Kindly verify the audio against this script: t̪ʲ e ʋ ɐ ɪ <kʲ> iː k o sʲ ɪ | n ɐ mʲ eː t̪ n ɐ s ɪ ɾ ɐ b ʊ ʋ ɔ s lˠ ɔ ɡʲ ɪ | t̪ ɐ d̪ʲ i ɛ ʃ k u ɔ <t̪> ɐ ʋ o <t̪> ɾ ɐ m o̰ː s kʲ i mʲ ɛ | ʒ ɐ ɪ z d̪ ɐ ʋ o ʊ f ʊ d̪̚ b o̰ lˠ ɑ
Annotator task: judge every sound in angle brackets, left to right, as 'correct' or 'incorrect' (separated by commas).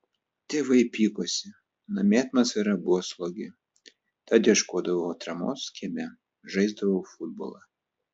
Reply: incorrect, incorrect, correct